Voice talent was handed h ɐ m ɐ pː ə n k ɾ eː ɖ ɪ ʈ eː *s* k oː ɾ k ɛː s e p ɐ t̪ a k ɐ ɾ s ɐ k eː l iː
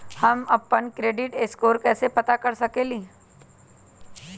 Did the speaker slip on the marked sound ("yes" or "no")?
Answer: no